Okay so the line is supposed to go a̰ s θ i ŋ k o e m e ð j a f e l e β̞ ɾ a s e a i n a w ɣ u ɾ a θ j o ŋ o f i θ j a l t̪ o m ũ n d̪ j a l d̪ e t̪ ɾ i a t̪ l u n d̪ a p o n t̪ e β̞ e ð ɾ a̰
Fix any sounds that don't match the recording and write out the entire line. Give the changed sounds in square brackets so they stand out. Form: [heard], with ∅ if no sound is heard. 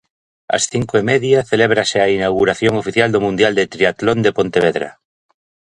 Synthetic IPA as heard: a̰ s θ i ŋ k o e m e ð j a [θ] e l e β̞ ɾ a s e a i n a w ɣ u ɾ a θ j o ŋ o f i θ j a l [d̪] o m ũ n d̪ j a l d̪ e t̪ ɾ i a t̪ l [o] n d̪ [e] p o n t̪ e β̞ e ð ɾ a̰